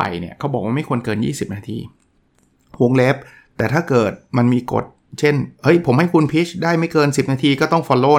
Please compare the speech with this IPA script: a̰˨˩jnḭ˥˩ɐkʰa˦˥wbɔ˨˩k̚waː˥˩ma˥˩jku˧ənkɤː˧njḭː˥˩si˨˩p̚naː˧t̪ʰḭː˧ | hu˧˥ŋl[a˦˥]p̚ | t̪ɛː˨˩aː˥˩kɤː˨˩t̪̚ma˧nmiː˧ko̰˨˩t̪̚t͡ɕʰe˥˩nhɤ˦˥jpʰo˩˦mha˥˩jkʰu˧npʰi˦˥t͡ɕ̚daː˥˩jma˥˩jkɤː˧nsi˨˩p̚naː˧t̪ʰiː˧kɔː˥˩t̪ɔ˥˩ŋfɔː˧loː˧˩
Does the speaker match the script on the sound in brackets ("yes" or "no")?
no